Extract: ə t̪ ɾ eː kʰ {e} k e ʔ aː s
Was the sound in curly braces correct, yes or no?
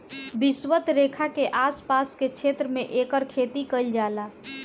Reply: no